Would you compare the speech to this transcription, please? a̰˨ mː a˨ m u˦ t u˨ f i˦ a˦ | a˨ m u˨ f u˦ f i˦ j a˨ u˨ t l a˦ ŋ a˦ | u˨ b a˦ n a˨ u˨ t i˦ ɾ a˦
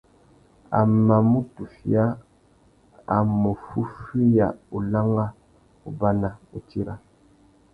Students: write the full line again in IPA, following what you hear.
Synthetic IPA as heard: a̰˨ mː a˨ m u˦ t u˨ f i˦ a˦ | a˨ m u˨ f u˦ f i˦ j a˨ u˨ l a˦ ŋ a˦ | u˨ b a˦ n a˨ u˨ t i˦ ɾ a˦